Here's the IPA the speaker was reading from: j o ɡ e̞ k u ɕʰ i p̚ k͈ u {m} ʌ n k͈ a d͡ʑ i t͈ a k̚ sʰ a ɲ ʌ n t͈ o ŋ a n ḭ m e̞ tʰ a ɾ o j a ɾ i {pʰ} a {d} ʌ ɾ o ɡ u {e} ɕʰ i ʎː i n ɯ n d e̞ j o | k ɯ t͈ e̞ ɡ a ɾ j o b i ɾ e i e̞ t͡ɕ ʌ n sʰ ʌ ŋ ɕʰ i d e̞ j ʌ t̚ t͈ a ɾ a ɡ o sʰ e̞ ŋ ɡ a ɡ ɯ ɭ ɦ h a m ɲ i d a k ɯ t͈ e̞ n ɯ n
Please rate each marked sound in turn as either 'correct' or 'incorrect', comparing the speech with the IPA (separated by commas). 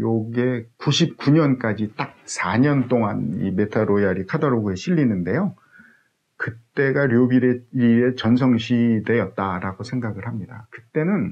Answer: incorrect, incorrect, correct, correct